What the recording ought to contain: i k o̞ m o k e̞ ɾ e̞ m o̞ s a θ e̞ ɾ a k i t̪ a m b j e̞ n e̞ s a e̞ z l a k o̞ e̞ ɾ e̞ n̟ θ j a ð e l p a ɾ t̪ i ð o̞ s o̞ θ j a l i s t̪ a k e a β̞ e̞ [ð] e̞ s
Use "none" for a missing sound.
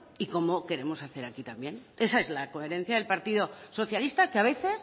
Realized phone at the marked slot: θ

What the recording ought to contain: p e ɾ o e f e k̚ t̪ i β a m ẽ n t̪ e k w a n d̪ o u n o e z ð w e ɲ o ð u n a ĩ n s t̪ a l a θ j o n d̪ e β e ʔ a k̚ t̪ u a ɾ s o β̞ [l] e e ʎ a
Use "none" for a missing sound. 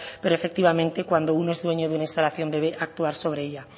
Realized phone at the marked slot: ɾ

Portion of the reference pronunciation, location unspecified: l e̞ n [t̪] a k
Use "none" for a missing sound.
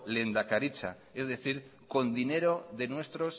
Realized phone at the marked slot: d̪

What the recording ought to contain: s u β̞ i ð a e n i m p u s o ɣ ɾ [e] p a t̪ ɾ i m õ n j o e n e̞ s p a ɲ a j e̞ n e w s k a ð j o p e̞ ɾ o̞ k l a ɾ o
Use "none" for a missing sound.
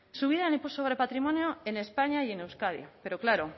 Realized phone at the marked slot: e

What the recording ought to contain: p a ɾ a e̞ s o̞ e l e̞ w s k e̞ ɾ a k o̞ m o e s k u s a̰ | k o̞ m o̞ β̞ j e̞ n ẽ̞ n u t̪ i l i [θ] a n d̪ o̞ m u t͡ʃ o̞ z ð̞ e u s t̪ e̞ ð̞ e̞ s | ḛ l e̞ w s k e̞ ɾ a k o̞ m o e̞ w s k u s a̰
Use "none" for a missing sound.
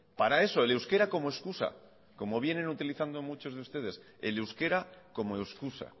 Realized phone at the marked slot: θ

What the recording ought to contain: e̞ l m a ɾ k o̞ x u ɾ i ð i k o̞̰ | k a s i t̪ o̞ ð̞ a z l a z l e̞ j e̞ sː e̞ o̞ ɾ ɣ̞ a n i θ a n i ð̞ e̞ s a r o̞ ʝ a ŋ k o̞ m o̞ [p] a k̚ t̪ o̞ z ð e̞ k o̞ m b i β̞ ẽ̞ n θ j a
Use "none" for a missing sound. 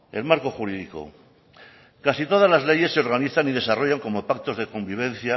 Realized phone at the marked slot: p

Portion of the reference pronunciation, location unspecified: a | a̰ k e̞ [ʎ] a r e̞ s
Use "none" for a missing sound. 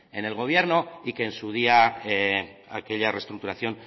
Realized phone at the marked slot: ʎ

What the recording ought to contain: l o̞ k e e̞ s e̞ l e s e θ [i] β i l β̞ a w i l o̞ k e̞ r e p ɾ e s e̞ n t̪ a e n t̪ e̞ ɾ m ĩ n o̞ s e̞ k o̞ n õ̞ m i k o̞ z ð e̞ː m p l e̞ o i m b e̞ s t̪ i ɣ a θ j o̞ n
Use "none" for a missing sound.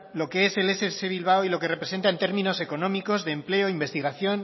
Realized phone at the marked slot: e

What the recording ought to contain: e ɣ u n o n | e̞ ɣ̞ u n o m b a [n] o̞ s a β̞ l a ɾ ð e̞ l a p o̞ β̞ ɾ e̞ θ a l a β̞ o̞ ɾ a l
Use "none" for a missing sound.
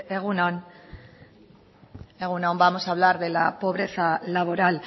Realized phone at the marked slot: m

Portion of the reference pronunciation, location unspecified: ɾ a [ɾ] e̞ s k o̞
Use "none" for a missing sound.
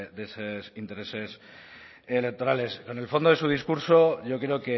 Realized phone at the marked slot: l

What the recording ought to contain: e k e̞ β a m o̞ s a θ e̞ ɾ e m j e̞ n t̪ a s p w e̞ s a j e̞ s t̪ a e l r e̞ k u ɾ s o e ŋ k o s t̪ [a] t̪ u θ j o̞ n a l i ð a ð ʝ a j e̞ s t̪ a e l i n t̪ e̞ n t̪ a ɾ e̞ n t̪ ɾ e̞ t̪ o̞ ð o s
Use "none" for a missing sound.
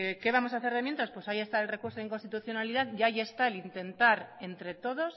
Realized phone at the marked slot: i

